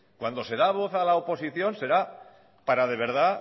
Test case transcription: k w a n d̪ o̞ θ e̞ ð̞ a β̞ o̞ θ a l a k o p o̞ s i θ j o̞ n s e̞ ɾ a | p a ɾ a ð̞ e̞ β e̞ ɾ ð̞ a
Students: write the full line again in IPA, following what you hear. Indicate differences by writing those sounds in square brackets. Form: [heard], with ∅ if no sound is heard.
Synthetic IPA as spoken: k w a n d̪ o̞ [s] e̞ ð̞ a β̞ o̞ θ a l a [∅] o p o̞ s i θ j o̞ n s e̞ ɾ a | p a ɾ a ð̞ e̞ β e̞ ɾ ð̞ a